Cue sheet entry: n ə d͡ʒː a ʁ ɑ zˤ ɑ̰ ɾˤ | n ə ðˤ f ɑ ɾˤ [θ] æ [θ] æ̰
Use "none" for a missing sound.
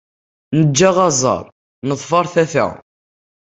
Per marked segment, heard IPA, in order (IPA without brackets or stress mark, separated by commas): θ, θ